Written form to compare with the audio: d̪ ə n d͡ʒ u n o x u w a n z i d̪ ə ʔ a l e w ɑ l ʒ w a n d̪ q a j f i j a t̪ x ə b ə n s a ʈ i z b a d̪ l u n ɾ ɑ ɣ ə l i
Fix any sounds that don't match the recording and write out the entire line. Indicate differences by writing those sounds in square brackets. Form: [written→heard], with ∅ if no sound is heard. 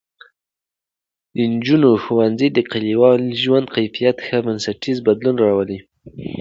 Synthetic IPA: d̪ ə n d͡ʒ u n o x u w a n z i d̪ ə [ʔ→q] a l [e→i] w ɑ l ʒ w a n d̪ q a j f i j a t̪ x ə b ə n s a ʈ i z b a d̪ l u n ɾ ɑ [ɣ→w] ə l i